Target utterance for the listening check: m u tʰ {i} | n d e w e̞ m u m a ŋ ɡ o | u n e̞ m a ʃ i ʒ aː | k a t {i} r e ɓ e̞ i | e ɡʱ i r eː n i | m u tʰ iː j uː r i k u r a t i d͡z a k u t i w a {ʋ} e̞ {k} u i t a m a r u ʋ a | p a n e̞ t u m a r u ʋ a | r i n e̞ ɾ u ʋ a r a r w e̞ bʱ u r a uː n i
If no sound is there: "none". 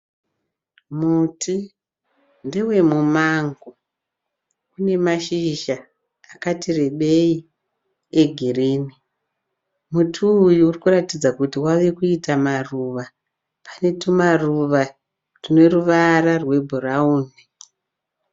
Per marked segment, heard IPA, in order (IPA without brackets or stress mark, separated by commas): i, i, ʋ, k